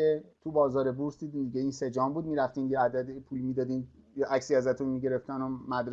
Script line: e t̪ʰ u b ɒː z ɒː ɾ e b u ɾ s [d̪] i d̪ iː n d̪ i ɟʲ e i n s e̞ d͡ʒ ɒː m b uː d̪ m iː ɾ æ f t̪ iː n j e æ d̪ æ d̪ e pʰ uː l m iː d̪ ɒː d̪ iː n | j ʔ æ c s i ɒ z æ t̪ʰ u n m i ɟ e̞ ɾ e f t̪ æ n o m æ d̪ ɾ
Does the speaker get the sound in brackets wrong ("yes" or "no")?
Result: no